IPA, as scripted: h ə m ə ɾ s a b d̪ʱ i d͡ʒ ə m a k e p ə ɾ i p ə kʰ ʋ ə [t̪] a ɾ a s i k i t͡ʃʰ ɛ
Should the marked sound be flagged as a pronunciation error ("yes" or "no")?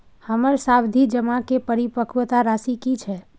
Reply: no